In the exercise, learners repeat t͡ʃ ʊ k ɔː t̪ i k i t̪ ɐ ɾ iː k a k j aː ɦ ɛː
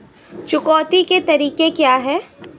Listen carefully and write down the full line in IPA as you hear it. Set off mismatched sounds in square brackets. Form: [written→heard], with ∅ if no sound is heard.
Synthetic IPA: t͡ʃ ʊ k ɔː t̪ i k [i→e] t̪ ɐ ɾ iː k [a→e] k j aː ɦ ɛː